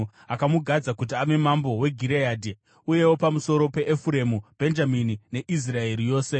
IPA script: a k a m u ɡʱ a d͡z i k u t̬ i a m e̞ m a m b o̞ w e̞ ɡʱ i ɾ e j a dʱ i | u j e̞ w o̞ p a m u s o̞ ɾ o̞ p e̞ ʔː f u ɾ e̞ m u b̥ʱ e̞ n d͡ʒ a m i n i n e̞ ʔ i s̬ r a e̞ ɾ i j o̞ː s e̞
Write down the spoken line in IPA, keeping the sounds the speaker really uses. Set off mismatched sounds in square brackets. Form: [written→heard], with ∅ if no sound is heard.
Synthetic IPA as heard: a k a m u ɡʱ a d͡z [i→a] k u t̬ i a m e̞ m a m b o̞ w e̞ ɡʱ i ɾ e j a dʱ i | u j e̞ w o̞ p a m u s o̞ ɾ o̞ p e̞ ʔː f u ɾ e̞ m u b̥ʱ e̞ n d͡ʒ a m i n i n e̞ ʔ i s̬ r a e̞ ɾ i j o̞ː s e̞